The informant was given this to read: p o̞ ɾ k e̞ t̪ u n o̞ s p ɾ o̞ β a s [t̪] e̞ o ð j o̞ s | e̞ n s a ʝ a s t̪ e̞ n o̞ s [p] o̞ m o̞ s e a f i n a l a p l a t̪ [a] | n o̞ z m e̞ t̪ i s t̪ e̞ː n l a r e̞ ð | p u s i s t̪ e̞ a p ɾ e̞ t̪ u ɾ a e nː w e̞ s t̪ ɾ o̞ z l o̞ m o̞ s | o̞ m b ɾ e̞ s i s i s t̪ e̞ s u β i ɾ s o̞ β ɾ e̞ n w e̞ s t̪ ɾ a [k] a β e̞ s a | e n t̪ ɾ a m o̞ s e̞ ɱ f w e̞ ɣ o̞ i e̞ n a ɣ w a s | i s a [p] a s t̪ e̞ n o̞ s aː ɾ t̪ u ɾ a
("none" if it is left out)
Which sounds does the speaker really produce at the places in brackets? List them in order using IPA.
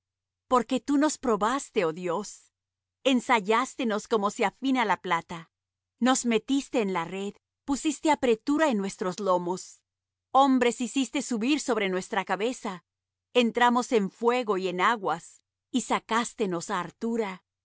t̪, k, a, k, k

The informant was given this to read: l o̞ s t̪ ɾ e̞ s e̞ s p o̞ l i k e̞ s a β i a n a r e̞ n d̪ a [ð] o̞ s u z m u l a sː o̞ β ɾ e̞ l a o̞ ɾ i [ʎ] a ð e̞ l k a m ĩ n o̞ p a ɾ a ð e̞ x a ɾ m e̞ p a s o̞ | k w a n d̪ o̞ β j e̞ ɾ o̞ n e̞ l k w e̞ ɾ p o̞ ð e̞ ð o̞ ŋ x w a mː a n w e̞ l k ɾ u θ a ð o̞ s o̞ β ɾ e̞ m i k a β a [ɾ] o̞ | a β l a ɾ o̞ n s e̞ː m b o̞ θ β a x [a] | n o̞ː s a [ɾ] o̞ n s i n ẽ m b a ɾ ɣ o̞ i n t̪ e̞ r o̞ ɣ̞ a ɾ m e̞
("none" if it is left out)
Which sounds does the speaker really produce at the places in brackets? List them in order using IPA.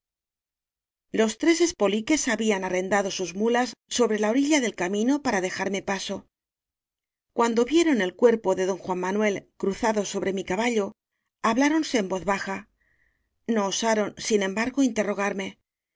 ð, ʎ, ʎ, a, ɾ

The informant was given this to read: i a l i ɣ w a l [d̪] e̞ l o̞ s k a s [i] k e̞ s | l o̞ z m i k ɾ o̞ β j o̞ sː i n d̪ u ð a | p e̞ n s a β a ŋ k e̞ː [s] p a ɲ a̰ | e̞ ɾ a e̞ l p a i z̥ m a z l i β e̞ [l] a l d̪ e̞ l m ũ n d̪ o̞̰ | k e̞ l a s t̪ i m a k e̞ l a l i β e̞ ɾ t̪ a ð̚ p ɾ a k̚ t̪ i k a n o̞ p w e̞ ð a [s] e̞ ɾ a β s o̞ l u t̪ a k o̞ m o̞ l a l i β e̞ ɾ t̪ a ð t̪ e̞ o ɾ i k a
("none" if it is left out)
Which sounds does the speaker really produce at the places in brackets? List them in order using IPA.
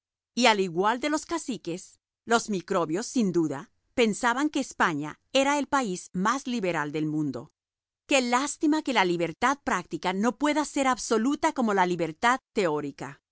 d̪, i, s, ɾ, s

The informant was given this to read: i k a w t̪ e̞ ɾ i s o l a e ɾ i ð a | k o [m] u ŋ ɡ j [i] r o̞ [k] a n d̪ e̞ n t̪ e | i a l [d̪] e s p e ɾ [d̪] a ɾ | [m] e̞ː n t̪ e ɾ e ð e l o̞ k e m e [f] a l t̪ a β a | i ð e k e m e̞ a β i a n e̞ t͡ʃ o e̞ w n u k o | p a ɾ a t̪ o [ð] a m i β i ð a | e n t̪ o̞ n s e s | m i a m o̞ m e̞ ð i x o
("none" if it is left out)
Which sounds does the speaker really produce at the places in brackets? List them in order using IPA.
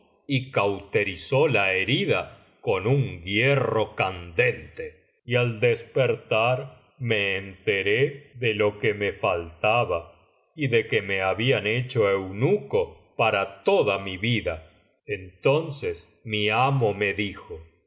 n, e, k, d̪, t̪, m, f, ð

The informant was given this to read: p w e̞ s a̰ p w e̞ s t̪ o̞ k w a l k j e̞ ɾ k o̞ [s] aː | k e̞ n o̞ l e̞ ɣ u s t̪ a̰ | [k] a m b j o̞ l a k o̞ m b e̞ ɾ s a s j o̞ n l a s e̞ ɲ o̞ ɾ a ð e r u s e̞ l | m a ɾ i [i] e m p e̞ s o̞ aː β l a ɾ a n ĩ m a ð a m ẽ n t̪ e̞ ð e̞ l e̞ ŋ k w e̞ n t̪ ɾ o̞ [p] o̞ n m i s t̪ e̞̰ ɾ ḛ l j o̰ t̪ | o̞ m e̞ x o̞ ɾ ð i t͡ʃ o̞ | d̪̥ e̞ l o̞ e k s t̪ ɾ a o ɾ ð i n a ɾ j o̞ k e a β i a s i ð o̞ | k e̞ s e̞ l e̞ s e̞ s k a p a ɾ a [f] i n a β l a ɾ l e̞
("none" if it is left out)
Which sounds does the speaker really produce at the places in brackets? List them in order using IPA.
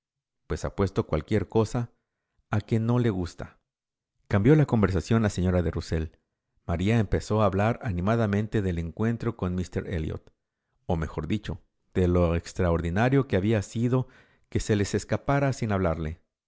s, k, a, k, s

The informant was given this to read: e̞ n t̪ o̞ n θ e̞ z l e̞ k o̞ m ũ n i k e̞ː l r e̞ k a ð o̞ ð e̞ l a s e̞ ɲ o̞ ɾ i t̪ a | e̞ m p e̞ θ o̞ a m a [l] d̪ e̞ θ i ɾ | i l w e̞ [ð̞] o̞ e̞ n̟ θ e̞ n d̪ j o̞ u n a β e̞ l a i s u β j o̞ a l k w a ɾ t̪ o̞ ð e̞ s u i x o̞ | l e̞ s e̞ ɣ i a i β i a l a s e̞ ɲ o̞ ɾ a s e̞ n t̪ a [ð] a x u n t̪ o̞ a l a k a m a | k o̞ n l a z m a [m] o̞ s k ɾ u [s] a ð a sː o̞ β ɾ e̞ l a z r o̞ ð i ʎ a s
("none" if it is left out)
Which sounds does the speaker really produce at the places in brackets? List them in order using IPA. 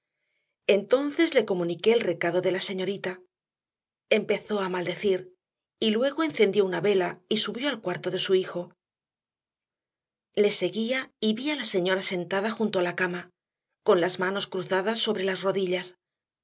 l, ɣ̞, ð, n, θ

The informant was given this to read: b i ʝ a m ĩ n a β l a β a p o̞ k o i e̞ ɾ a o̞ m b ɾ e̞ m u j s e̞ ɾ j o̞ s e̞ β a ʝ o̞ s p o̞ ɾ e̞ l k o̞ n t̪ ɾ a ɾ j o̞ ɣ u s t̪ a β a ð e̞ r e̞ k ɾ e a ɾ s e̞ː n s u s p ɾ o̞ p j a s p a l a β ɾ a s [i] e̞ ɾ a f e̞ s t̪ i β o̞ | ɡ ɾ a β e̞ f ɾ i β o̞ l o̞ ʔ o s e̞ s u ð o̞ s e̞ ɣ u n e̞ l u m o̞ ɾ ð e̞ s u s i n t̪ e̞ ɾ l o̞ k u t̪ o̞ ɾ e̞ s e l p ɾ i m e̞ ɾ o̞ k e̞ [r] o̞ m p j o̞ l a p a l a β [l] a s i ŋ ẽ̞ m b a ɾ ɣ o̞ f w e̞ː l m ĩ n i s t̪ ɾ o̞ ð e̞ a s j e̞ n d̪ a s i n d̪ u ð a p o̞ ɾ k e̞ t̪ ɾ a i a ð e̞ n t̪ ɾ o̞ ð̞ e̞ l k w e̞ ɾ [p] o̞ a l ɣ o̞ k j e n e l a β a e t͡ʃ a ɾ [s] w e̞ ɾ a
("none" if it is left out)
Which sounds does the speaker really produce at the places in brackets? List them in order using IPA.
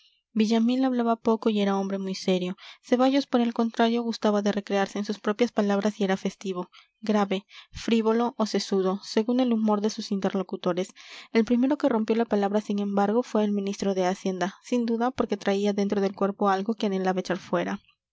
i, r, ɾ, p, f

